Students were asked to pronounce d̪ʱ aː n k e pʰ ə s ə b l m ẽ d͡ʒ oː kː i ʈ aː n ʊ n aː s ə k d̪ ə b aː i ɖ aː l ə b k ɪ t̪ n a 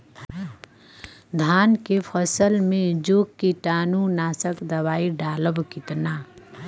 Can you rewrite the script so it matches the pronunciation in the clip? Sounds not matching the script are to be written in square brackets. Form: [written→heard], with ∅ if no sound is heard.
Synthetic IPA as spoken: d̪ʱ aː n k e pʰ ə s ə [b→∅] l m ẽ d͡ʒ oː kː i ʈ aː n [ʊ→u] n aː s ə k d̪ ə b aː i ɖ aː l ə b k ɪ t̪ n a